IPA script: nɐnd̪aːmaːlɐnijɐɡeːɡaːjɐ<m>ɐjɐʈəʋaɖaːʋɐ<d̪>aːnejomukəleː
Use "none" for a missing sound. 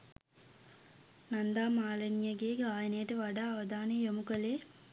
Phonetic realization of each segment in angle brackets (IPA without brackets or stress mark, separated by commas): n, d̪